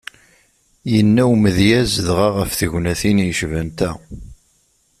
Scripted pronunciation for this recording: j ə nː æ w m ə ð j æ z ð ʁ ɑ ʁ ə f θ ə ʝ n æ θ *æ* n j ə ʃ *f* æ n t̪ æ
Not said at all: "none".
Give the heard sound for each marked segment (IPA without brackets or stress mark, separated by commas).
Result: i, v